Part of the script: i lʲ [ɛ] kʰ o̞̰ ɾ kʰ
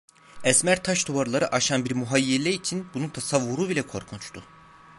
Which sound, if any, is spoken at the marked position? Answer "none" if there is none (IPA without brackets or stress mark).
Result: ɛ